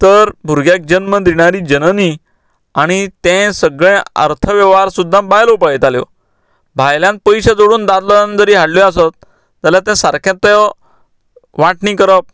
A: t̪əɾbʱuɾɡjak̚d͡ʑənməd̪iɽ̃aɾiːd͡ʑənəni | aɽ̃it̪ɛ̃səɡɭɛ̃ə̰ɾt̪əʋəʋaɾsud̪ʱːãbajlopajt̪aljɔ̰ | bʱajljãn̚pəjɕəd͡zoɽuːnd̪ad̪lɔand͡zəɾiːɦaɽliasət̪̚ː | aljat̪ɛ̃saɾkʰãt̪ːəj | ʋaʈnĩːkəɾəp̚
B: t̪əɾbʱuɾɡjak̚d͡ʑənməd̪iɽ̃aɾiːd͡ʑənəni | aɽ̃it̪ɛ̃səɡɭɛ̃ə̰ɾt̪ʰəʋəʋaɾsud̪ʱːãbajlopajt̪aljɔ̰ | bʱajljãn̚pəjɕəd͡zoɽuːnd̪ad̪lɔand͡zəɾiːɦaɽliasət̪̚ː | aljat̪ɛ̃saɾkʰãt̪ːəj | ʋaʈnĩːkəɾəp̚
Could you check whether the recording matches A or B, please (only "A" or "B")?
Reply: B